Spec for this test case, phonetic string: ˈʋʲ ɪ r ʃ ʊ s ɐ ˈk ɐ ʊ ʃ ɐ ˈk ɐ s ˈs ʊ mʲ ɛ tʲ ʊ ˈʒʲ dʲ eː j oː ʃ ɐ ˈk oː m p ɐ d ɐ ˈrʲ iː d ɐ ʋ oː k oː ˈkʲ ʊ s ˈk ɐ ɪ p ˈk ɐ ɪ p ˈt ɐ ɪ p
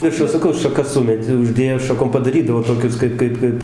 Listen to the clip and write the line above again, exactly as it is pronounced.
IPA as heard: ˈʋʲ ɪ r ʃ ʊ s ɐ ˈk ɐ ʊ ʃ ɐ ˈk ɐ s ˈs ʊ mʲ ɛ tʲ ʊ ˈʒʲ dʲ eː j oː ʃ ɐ ˈk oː m p ɐ d ɐ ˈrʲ iː d ɐ ʋ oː t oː ˈkʲ ʊ s ˈk ɐ ɪ p ˈk ɐ ɪ p ˈk ɐ ɪ p

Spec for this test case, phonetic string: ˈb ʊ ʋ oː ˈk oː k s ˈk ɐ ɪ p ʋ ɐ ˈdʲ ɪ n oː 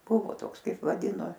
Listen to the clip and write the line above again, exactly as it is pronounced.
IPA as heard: ˈb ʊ ʋ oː ˈt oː k s ˈk ɐ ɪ p ʋ ɐ ˈdʲ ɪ n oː

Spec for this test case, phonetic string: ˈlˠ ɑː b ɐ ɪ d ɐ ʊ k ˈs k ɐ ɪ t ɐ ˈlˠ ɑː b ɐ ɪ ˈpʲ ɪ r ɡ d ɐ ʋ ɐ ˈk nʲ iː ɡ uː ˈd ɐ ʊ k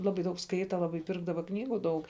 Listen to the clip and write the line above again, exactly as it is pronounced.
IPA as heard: ˈlˠ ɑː b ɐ ɪ d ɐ ʊ k ˈs k ɐ ɪ t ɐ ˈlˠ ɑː b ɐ ɪ ˈpʲ ɪ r ɡ d ɐ ʋ ɐ ˈk nʲ iː ɡ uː ˈd ɐ ʊ k

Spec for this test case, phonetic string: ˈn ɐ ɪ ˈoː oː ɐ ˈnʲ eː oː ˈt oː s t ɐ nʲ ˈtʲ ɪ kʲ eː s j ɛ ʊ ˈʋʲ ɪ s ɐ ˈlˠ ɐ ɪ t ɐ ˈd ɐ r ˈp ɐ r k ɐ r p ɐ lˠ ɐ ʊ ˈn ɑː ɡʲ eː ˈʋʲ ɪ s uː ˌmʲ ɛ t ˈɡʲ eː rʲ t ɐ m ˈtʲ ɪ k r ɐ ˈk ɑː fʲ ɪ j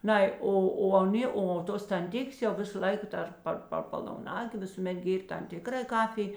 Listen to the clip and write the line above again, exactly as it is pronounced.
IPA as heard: ˈn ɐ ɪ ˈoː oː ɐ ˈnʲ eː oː ˈt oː s t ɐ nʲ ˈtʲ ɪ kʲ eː s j ɛ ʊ ˈʋʲ ɪ s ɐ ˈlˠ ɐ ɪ k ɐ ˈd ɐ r ˈp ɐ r p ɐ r p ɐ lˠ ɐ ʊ ˈn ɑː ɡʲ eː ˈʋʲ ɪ s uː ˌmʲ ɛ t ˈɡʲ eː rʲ t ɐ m ˈtʲ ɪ k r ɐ ˈk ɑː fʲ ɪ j

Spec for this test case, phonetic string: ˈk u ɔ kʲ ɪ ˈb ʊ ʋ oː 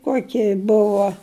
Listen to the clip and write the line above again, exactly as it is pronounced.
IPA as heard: ˈk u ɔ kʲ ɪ ˈb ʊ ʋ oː

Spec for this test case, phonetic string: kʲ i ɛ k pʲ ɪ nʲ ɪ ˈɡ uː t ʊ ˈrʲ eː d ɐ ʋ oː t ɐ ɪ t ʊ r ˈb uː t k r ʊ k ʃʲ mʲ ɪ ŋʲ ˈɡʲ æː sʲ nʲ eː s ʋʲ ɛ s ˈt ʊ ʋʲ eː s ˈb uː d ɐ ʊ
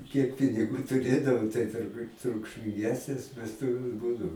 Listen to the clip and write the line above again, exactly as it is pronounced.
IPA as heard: kʲ i ɛ k pʲ ɪ nʲ ɪ ˈɡ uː t ʊ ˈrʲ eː d ɐ ʋ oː t ɐ ɪ t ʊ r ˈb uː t t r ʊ k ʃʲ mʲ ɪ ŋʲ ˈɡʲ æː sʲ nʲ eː s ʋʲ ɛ s ˈt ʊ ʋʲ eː s ˈb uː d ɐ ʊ

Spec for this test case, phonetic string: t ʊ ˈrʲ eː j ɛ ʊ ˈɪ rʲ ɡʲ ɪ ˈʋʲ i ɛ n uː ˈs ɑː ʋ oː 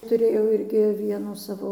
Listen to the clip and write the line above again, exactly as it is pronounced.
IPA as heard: t ʊ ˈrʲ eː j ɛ ʊ ˈɪ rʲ ɡʲ ɪ ˈʋʲ i ɛ n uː ˈs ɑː ʋ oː

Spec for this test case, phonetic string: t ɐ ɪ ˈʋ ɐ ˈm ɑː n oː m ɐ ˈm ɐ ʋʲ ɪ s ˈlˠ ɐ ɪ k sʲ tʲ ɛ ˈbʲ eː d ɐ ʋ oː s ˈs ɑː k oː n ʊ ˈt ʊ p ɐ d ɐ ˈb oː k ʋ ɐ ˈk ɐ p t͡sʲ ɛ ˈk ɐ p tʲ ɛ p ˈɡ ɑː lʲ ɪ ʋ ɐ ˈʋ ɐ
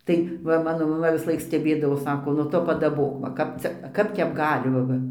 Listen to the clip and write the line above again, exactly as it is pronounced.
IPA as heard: t ɐ ɪ ˈʋ ɐ ˈm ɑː n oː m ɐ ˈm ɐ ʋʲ ɪ s ˈlˠ ɐ ɪ k sʲ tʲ ɛ ˈbʲ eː d ɐ ʋ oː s ˈs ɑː k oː n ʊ ˈt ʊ p ɐ d ɐ ˈb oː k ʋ ɐ ˈk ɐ p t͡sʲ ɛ ˈk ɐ p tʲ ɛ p ˈɡ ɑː lʲ ɪ ʋ ɐ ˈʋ ɐ

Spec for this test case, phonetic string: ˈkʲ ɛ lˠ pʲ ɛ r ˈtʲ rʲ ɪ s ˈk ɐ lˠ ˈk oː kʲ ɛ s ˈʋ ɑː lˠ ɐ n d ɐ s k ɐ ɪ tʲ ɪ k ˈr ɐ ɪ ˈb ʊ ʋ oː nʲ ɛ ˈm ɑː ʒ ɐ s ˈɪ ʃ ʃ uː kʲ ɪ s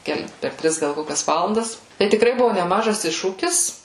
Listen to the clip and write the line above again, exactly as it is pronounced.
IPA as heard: ˈkʲ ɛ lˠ pʲ ɛ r ˈtʲ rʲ ɪ s ˈɡ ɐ lˠ ˈk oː kʲ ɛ s ˈʋ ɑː lˠ ɐ n d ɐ s t ɐ ɪ tʲ ɪ k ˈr ɐ ɪ ˈb ʊ ʋ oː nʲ ɛ ˈm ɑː ʒ ɐ s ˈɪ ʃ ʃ uː kʲ ɪ s

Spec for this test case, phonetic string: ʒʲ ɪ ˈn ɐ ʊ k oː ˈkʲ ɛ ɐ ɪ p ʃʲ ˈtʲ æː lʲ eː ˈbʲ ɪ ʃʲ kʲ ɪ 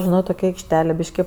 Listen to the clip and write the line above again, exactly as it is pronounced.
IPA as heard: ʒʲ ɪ ˈn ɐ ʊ t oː ˈkʲ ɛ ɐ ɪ k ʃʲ ˈtʲ æː lʲ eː ˈbʲ ɪ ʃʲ kʲ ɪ

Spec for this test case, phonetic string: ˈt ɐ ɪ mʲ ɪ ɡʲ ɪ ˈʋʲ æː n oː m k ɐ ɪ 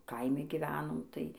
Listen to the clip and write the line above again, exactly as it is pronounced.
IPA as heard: ˈk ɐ ɪ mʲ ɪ ɡʲ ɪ ˈʋʲ æː n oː m t ɐ ɪ

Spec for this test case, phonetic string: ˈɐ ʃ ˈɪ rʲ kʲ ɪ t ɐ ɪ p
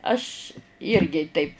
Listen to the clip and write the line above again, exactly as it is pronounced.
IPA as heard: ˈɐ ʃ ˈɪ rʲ ɡʲ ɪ t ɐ ɪ p

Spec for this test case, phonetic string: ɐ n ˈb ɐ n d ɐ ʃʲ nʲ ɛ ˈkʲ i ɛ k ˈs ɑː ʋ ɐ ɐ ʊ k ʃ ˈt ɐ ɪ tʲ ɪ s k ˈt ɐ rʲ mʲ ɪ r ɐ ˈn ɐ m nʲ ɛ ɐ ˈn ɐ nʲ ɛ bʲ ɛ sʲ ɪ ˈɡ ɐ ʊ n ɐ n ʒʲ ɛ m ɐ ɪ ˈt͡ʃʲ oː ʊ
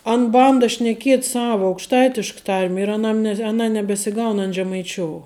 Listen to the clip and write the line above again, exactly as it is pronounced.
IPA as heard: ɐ n ˈb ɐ n d ɐ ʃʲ nʲ ɛ ˈkʲ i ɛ t ˈs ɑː ʋ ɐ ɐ ʊ k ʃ ˈt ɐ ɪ tʲ ɪ ʃ k ˈt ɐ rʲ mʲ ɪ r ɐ ˈn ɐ m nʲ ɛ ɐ ˈn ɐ nʲ ɛ bʲ ɛ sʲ ɪ ˈɡ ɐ ʊ n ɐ n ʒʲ ɛ m ɐ ɪ ˈt͡ʃʲ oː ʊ

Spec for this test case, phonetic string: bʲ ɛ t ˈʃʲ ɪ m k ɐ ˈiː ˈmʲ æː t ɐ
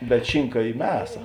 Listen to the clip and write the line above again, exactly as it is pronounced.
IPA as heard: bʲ ɛ t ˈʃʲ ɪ ŋ k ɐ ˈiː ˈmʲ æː s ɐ

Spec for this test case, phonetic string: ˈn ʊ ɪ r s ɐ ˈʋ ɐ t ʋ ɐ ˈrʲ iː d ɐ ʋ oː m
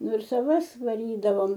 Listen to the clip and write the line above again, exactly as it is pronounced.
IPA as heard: ˈn ʊ ɪ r s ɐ ˈʋ ɐ s ʋ ɐ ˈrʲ iː d ɐ ʋ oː m

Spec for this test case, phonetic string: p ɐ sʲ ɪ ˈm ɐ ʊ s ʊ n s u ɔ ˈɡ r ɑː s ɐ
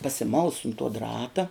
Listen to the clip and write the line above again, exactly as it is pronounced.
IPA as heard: p ɐ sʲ ɪ ˈm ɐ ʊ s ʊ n t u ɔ ˈd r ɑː t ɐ

